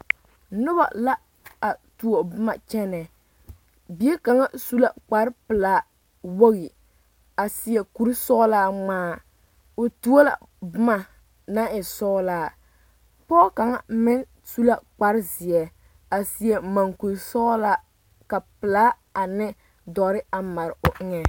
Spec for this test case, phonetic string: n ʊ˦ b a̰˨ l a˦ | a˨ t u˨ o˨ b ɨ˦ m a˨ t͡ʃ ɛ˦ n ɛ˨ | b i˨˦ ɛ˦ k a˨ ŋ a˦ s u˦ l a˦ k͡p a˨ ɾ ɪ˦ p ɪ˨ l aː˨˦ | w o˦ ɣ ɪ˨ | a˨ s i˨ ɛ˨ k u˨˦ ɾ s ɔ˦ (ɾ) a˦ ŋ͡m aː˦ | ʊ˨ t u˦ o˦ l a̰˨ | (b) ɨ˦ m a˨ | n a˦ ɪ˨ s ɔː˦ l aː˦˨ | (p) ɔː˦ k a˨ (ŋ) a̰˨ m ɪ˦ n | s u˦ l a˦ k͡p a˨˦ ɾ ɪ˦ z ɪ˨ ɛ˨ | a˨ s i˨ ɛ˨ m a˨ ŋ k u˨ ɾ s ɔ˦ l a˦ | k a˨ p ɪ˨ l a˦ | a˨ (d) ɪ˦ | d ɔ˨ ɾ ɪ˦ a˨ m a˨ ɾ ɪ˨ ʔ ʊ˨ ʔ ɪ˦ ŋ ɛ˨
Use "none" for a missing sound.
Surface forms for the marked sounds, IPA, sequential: l, b, p, ŋ, n

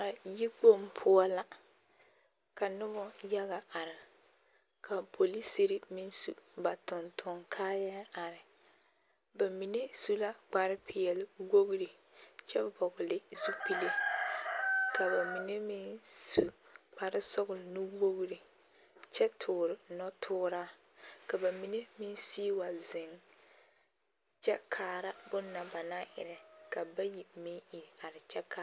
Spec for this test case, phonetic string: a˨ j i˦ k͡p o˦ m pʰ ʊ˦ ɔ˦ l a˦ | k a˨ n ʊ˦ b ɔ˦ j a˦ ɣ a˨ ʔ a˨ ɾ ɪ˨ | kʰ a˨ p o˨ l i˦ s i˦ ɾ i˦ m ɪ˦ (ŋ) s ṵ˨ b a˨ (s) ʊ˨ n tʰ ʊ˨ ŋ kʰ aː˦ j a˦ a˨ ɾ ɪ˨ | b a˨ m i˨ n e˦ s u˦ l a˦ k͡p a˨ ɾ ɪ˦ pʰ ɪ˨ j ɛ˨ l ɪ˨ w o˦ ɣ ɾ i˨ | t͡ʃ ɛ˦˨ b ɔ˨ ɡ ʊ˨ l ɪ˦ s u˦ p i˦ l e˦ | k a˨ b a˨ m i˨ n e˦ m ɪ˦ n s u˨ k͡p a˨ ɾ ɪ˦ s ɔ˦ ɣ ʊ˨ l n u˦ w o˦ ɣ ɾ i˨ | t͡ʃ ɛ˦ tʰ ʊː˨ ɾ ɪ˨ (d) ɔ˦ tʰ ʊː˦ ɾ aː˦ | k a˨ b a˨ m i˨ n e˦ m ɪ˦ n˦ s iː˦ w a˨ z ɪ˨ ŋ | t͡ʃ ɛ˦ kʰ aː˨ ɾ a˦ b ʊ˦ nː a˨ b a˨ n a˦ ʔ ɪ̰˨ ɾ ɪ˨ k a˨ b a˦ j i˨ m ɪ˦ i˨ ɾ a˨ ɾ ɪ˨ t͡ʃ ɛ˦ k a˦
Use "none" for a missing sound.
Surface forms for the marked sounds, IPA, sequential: n, t, n

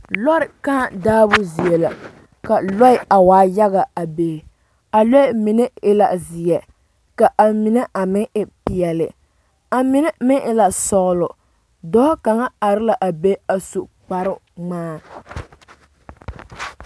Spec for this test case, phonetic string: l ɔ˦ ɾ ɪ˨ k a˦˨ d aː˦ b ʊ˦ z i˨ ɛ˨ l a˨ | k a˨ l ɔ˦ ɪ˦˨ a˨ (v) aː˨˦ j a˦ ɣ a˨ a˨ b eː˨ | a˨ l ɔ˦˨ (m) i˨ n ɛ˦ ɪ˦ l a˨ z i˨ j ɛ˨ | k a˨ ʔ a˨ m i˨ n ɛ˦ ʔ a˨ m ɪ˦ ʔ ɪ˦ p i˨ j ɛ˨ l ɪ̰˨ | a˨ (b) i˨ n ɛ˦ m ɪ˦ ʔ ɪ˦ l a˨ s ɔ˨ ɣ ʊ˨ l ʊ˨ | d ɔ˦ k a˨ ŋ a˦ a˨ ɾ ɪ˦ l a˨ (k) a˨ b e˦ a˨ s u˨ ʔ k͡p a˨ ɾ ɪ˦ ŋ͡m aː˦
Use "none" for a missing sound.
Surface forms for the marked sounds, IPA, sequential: w, m, m, ʔ

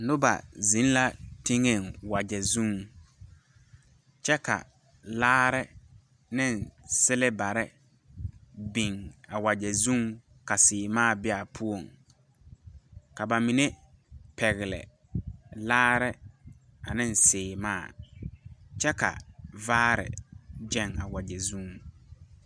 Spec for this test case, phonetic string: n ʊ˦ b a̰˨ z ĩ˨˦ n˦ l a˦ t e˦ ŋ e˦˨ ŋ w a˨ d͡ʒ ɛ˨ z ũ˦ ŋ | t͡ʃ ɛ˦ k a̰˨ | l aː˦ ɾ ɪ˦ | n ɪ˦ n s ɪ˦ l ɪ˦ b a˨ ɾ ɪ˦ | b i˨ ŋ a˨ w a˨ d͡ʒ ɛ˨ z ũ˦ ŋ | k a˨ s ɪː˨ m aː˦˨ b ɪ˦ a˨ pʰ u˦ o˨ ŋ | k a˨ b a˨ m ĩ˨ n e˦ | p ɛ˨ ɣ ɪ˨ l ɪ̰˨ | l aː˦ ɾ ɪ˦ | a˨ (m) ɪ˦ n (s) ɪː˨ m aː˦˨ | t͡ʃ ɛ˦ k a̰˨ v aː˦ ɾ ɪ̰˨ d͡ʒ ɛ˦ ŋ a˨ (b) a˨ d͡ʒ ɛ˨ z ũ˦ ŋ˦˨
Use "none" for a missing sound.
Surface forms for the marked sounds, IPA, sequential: n, s, w

